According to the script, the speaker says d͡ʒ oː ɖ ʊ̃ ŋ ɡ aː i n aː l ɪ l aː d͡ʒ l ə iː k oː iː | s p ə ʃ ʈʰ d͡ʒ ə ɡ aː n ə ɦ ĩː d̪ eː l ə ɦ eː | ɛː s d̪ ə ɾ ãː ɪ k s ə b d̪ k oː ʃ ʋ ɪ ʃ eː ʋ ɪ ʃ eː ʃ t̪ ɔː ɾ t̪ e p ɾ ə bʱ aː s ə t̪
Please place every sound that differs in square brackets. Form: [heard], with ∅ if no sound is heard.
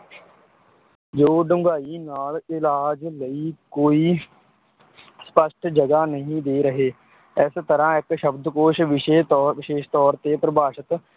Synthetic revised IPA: d͡ʒ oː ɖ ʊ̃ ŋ ɡ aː i n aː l ɪ l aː d͡ʒ l ə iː k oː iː | s p ə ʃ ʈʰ d͡ʒ ə ɡ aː n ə ɦ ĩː d̪ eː [ɾ] ə ɦ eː | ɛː s [t̪] ə ɾ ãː ɪ k [ʃ] ə b d̪ k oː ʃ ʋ ɪ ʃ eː ʋ ɪ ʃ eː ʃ t̪ ɔː ɾ t̪ e p ɾ ə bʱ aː [ʃ] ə t̪